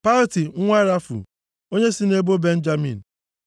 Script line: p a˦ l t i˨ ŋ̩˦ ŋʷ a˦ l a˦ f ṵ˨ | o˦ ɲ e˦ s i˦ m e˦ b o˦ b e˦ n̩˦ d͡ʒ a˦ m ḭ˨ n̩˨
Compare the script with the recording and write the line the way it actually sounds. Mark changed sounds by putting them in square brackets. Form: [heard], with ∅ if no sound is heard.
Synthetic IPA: p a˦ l t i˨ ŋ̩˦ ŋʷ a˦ [ɾ] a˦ f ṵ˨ | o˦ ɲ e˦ s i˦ [n] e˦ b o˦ b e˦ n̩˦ d͡ʒ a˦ m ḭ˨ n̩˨